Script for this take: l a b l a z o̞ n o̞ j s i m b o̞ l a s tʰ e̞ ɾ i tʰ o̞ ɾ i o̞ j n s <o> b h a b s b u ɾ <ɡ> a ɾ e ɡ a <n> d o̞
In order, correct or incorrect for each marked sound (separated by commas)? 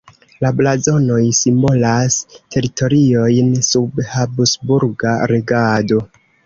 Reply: incorrect, correct, incorrect